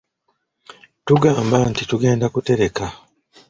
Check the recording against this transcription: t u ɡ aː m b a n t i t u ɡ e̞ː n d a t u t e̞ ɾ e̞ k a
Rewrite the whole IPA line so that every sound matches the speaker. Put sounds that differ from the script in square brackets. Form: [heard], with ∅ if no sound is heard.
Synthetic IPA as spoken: t u ɡ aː m b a n t i t u ɡ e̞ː n d a [k] u t e̞ ɾ e̞ k a